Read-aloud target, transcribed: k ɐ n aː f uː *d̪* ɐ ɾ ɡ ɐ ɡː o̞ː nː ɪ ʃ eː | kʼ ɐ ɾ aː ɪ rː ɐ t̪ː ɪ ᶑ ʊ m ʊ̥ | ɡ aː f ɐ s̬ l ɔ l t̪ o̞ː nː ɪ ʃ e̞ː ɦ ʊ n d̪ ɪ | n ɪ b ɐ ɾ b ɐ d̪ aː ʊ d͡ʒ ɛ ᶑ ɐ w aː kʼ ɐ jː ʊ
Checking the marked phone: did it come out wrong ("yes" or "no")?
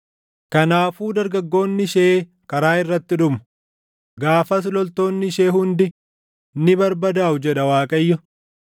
no